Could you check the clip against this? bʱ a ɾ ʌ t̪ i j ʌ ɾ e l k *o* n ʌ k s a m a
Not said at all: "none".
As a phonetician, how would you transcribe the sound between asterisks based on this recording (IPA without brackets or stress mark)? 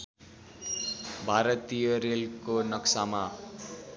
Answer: o